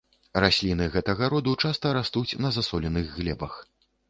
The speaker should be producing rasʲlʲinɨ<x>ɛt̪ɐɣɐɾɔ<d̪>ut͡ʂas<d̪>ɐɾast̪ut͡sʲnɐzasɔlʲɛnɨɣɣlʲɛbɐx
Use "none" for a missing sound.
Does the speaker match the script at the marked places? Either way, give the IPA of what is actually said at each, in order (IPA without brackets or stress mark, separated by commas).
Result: ɣ, d̪, t̪